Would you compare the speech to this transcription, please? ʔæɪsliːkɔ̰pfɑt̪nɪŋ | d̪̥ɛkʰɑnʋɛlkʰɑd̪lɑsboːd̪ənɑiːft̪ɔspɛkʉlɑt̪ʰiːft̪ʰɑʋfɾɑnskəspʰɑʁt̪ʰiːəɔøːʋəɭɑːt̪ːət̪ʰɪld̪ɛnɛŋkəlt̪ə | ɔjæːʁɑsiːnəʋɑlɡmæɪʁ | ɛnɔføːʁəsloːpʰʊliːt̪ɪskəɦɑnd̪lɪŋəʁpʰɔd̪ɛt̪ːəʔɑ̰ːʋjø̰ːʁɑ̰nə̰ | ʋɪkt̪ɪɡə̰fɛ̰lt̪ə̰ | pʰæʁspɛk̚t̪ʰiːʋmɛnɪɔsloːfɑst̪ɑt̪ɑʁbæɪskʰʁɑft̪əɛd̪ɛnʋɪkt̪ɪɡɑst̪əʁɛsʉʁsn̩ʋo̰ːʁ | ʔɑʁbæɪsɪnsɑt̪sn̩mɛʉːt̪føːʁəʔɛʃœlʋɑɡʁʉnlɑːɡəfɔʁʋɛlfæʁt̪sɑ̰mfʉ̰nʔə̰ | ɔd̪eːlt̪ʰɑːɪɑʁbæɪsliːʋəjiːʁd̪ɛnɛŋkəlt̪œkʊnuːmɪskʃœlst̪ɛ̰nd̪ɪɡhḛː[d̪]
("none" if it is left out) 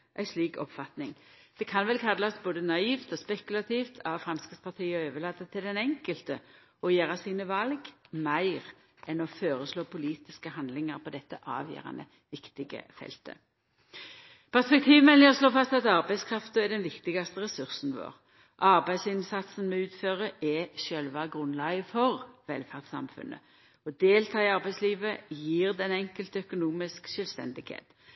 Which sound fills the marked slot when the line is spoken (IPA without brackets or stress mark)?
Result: t̪